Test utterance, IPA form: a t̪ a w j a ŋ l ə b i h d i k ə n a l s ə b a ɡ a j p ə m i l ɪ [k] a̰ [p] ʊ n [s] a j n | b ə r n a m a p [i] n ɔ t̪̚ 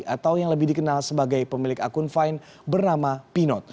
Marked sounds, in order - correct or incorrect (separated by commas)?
correct, incorrect, incorrect, correct